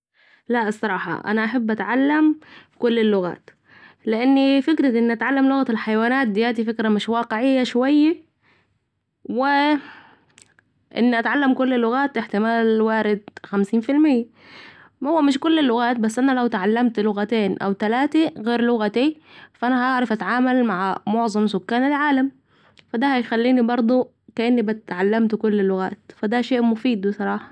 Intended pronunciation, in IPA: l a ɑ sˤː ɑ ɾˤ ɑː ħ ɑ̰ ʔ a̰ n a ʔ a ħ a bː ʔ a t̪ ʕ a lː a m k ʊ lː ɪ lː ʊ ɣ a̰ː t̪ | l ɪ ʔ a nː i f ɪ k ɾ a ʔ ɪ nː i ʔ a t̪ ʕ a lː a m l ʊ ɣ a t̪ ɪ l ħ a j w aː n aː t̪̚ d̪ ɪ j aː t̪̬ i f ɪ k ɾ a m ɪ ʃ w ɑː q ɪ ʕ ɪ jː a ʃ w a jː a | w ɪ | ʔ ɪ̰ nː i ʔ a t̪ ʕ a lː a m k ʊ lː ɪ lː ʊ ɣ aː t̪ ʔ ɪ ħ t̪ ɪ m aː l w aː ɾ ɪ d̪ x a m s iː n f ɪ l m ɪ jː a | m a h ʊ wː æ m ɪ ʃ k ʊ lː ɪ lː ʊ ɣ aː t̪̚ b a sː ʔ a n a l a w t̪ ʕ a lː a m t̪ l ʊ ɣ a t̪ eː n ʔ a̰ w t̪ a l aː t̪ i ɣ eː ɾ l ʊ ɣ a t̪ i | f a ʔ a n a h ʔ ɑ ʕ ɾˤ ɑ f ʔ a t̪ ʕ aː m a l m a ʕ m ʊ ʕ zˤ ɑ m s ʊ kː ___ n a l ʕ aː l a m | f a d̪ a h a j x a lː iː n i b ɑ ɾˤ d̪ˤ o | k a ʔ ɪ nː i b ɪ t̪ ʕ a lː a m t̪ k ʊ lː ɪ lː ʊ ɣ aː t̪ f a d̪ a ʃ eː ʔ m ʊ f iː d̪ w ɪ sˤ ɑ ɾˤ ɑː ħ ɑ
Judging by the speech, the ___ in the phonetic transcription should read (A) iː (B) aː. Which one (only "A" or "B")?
B